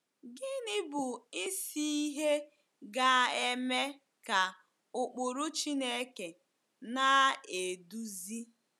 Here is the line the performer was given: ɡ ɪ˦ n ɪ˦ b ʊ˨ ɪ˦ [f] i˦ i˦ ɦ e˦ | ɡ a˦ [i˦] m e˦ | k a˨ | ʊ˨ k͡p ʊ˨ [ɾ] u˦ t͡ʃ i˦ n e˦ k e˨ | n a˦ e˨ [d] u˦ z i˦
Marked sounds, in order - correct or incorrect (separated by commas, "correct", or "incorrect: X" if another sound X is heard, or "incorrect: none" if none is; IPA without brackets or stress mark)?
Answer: incorrect: s, incorrect: e˦, correct, correct